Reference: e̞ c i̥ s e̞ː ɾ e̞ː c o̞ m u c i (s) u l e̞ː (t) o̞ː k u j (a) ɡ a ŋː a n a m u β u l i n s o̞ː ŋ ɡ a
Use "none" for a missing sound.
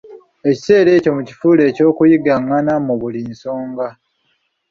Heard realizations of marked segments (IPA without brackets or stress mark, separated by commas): f, c, i